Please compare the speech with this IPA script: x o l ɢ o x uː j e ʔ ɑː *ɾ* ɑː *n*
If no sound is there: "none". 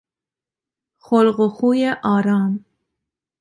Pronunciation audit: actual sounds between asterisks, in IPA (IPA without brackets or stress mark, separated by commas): ɾ, m